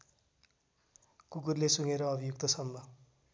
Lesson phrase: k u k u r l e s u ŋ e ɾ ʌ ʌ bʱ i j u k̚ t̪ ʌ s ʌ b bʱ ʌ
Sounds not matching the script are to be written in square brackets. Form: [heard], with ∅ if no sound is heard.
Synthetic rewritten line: k u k u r l e s u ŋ e ɾ ʌ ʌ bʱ i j u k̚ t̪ ʌ s ʌ [m] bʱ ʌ